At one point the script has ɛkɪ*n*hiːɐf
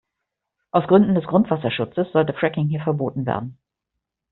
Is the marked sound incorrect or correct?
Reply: incorrect